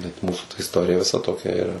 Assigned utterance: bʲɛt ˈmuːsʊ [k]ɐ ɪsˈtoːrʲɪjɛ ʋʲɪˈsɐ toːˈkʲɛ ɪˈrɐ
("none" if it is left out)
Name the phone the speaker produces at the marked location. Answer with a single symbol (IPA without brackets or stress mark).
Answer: t